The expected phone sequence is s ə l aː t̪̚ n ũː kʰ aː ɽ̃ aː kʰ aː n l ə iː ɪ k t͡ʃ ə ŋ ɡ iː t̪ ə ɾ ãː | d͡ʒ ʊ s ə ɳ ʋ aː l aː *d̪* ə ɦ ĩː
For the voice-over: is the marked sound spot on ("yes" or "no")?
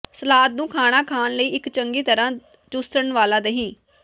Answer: yes